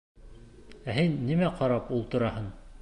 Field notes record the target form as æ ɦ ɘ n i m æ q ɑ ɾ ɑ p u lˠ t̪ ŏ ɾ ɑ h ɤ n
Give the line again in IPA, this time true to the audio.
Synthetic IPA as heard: æ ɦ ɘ nː i m æ q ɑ ɾ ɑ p u lˠ t̪ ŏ ɾ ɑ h ɤ n